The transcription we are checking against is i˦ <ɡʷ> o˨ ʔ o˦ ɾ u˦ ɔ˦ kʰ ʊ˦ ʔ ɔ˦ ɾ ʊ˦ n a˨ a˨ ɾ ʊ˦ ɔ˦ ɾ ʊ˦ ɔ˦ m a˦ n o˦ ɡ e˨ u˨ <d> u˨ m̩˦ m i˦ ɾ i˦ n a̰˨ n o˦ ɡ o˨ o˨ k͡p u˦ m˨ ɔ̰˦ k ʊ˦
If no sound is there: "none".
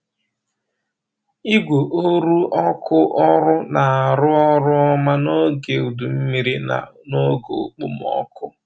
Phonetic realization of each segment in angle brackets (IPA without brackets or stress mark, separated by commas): ɡʷ, d